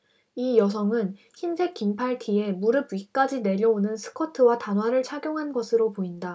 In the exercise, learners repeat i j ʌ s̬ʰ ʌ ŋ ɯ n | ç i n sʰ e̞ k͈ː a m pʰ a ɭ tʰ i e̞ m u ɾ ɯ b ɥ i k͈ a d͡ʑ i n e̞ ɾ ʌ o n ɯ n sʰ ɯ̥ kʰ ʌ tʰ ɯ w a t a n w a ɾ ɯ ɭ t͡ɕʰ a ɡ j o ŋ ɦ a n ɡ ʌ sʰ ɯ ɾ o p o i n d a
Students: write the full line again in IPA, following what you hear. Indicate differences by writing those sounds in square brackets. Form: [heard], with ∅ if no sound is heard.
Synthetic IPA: i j ʌ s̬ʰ ʌ ŋ ɯ n | ç i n sʰ e̞ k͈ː [i] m pʰ a ɭ tʰ i e̞ m u ɾ ɯ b ɥ i k͈ a d͡ʑ i n e̞ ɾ ʌ o n ɯ n sʰ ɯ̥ kʰ ʌ tʰ ɯ w a t a n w a ɾ ɯ ɭ t͡ɕʰ a ɡ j o ŋ ɦ a n ɡ ʌ sʰ ɯ ɾ o p o i n d a